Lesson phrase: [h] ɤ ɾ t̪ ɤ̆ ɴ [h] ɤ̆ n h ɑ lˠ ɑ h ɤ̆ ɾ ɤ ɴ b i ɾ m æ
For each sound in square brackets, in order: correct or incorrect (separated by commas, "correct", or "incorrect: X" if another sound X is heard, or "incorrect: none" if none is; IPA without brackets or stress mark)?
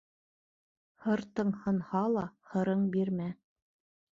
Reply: correct, correct